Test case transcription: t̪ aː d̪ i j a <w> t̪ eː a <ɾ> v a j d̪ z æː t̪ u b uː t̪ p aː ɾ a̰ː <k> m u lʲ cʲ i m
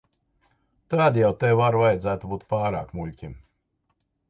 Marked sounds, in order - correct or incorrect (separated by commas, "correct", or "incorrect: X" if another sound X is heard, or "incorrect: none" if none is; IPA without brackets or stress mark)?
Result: correct, correct, correct